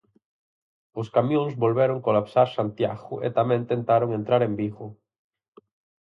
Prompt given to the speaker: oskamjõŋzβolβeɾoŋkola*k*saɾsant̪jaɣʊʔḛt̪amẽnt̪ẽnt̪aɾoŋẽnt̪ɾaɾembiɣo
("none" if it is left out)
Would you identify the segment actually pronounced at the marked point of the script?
p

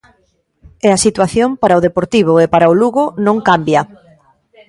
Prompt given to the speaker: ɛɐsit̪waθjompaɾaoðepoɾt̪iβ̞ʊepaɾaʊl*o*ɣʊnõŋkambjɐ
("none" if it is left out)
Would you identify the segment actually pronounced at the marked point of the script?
u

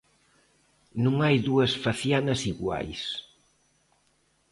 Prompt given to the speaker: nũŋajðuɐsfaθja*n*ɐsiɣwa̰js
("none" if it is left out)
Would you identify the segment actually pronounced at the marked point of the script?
n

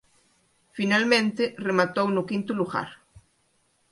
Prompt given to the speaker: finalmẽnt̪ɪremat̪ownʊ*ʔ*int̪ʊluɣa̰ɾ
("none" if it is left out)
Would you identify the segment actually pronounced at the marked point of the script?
k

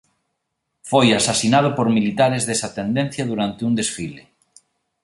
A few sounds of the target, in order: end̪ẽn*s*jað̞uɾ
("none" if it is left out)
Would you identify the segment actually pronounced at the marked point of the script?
θ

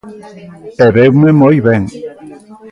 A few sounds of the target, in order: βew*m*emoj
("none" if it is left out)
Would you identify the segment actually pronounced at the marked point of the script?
m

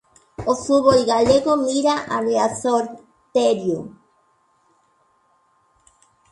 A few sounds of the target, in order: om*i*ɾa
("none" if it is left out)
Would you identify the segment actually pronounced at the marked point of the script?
i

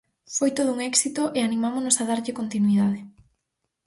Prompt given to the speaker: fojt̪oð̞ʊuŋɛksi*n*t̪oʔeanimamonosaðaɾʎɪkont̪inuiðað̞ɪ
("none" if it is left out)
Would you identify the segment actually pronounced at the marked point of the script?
none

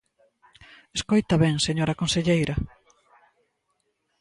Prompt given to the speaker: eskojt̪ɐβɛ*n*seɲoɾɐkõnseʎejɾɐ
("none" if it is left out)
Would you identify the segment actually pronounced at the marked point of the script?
ŋ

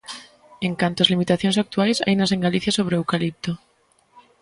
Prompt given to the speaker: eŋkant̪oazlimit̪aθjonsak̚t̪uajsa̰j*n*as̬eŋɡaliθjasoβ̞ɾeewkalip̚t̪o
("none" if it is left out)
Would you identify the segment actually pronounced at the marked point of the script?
n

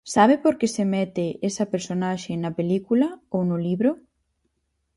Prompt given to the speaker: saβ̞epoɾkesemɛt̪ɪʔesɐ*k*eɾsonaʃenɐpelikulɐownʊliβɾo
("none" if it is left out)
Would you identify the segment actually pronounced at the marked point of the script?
p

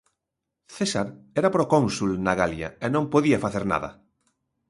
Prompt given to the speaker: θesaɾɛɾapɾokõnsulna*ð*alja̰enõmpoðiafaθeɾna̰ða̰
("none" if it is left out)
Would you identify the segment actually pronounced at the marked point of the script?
ɣ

